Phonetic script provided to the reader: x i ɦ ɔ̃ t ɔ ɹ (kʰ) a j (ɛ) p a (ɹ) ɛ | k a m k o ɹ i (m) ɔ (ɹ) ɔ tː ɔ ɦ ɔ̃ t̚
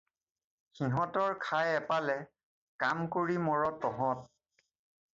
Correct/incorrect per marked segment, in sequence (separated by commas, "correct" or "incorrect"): correct, correct, incorrect, correct, correct